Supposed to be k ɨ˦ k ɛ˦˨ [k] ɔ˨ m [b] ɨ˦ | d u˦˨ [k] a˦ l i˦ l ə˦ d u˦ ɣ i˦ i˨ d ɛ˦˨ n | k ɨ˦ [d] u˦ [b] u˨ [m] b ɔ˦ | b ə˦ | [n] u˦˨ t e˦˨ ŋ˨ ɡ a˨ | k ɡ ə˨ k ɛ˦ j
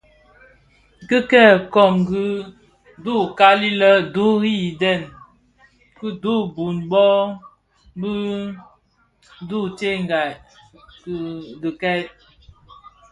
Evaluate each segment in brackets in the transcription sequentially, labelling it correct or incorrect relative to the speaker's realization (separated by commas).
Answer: correct, incorrect, correct, correct, correct, incorrect, incorrect